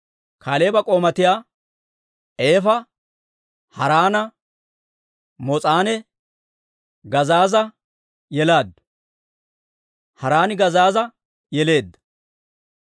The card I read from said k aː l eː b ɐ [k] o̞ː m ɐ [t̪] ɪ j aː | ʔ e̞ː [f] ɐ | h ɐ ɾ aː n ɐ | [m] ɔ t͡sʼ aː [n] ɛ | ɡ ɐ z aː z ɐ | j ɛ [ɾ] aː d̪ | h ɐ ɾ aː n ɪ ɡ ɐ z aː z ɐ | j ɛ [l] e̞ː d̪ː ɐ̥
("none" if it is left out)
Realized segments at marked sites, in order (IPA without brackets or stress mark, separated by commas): kʼ, t̪, f, m, n, l, l